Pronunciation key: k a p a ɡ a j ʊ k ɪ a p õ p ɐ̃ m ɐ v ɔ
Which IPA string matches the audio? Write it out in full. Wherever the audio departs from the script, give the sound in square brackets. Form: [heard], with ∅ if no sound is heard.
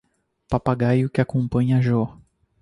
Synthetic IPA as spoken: [p] a p a ɡ a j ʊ k ɪ a [k] õ p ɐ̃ [ɲ] ɐ [ʒ] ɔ

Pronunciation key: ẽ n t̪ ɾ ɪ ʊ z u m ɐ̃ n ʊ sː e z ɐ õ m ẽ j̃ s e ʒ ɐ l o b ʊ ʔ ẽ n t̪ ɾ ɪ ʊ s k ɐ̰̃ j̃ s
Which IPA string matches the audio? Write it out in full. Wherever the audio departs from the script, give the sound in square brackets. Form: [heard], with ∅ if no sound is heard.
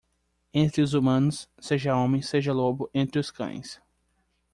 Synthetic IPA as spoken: ẽ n t̪ ɾ ɪ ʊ z u m ɐ̃ n ʊ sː e [ʒ] ɐ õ m ẽ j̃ s e ʒ ɐ l o b ʊ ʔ ẽ n t̪ ɾ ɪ ʊ s k ɐ̰̃ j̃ s

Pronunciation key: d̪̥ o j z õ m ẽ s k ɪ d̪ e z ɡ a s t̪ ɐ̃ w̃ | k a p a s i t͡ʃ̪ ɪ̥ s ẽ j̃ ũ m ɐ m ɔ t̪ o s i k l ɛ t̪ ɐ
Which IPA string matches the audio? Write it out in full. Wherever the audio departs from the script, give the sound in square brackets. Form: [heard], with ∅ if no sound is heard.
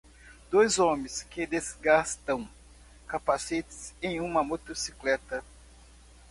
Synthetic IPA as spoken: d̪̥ o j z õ m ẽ s k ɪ d̪ e z ɡ a s t̪ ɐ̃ w̃ | k a p a s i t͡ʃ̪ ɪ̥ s ẽ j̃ ũ m ɐ m [o] t̪ o s i k l ɛ t̪ ɐ

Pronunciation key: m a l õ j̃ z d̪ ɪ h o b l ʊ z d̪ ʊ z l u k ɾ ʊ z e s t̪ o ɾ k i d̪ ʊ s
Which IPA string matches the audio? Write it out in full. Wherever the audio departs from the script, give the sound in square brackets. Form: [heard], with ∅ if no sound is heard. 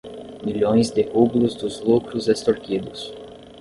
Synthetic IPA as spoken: m [i] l õ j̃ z d̪ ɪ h [u] b l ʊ z d̪ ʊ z l u k ɾ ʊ z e s t̪ o ɾ k i d̪ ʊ s

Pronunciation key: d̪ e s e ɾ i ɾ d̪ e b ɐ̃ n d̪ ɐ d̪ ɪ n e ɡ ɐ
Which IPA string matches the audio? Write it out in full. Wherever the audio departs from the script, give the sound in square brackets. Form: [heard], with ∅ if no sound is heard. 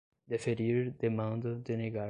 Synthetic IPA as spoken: d̪ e [f] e ɾ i ɾ d̪ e [m] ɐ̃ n d̪ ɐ d̪ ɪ n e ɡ [a]

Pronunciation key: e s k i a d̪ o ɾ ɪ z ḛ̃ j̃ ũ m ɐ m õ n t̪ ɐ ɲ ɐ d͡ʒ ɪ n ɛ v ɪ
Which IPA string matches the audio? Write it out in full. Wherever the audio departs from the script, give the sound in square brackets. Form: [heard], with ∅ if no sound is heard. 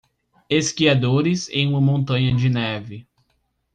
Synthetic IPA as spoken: e s k i a d̪ o ɾ ɪ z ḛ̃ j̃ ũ m ɐ m õ n t̪ [ɐ̃] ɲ ɐ d͡ʒ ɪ n ɛ v ɪ

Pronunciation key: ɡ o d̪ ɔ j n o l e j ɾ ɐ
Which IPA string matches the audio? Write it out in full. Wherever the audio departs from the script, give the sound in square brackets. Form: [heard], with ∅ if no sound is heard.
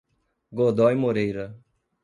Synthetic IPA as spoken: ɡ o d̪ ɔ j [m] o [ɾ] e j ɾ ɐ

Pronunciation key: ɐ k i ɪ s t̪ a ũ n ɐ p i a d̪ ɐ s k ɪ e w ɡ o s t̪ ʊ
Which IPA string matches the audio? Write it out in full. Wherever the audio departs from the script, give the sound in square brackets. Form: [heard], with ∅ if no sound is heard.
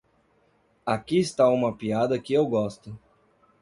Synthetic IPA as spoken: [a] k i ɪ s t̪ a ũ [m] ɐ p i a d̪ ɐ [∅] k ɪ e w ɡ [ɔ] s t̪ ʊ

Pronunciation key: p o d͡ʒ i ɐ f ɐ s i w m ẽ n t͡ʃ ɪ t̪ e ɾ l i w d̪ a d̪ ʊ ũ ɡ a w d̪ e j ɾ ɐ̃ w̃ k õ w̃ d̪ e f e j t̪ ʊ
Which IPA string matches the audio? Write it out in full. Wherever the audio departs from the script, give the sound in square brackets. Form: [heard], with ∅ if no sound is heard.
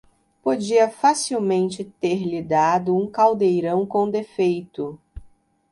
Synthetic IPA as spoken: p o d͡ʒ i ɐ f [a] s i w m ẽ n t͡ʃ ɪ t̪ e ɾ l i [∅] d̪ a d̪ ʊ ũ [k] a w d̪ e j ɾ ɐ̃ w̃ k õ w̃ d̪ e f e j t̪ ʊ

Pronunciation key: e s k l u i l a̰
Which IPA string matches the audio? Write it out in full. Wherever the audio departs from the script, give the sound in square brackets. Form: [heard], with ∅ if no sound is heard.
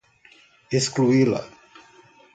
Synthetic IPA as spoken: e s k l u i l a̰

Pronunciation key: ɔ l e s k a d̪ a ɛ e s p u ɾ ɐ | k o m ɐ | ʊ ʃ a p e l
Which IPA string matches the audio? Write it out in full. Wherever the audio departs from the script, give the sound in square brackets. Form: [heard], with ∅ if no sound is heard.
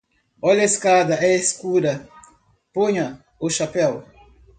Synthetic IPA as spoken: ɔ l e s k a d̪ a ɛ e s [k] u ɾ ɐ | [p] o [ɲ] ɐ | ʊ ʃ a p [ɛ] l

